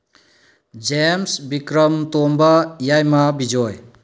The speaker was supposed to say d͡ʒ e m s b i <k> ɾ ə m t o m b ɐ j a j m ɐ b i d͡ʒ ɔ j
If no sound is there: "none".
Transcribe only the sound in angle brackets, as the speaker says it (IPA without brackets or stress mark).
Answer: k